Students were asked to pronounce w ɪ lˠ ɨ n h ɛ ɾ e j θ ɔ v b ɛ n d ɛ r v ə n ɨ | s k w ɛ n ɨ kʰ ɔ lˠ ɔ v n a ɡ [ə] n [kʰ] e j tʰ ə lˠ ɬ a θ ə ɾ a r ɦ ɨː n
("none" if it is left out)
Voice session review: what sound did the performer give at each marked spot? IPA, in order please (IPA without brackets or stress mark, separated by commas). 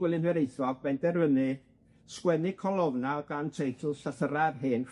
a, tʰ